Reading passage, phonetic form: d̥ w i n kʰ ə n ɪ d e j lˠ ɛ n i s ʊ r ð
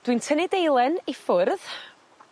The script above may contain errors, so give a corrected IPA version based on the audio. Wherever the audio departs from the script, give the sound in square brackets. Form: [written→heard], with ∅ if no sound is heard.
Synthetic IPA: d̥ w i n [kʰ→tʰ] ə n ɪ d e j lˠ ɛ n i [s→f] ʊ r ð

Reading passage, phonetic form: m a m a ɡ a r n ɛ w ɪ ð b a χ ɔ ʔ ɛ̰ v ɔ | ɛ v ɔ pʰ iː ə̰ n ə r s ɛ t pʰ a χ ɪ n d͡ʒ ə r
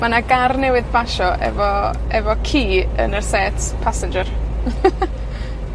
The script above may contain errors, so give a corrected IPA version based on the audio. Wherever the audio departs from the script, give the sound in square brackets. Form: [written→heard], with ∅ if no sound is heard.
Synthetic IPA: m a [m→n] a ɡ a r n ɛ w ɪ ð b a [χ→ʃ] ɔ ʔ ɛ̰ v ɔ | ɛ v ɔ [pʰ→kʰ] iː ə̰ n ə r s ɛ t pʰ a [χ→s] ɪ n d͡ʒ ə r

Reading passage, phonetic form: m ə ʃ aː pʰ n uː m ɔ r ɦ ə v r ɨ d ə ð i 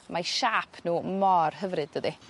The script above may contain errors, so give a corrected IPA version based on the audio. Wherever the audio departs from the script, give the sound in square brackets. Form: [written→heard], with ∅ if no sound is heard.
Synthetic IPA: m [ə→a] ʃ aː pʰ n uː m ɔ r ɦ ə v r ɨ d ə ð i

